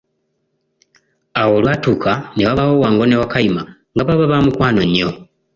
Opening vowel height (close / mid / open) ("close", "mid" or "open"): open